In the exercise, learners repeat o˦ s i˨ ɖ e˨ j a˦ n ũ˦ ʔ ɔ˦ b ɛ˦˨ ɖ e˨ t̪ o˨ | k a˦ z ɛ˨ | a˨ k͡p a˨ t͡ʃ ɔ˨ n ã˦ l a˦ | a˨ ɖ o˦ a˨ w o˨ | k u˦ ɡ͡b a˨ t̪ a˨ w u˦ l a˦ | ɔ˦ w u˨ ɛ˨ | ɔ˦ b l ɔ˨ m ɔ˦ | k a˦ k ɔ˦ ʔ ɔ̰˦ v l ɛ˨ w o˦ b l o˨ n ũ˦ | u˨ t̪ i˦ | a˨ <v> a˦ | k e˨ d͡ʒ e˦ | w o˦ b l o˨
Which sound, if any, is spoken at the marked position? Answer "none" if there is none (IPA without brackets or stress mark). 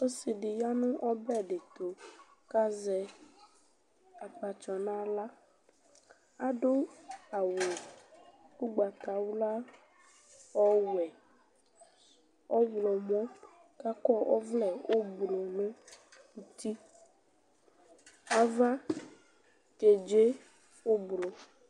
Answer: v